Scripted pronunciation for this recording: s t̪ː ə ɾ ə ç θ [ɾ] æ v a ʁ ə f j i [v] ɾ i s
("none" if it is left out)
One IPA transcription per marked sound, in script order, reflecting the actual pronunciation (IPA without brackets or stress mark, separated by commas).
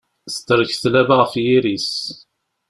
l, none